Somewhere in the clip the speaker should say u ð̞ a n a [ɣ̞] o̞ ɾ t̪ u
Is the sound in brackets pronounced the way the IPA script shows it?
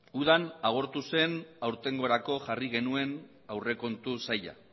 yes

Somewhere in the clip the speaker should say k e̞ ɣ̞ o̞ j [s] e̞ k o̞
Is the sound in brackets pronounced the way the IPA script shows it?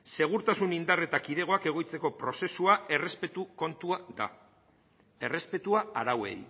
no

